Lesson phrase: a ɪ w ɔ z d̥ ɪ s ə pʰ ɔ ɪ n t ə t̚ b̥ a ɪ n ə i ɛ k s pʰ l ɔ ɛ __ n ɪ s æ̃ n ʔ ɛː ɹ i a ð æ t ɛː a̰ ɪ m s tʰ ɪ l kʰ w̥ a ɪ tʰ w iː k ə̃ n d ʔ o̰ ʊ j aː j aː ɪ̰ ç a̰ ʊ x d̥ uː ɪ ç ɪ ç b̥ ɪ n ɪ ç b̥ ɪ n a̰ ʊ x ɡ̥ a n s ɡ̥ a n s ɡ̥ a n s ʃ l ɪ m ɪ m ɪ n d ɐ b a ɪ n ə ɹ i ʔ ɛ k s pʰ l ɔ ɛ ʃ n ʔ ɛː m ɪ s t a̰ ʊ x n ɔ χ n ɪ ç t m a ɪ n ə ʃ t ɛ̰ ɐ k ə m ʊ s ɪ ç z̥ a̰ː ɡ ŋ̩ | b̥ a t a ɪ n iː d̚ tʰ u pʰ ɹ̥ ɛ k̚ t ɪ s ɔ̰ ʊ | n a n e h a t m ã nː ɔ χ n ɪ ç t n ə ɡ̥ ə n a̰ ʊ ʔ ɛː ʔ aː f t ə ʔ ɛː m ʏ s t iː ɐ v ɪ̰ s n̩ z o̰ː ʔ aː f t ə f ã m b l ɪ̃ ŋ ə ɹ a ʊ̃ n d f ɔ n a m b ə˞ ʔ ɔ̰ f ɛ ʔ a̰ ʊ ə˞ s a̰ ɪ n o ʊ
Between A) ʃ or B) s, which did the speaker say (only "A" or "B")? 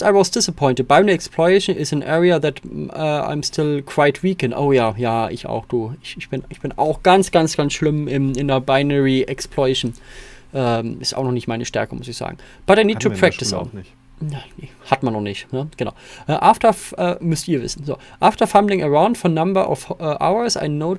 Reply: A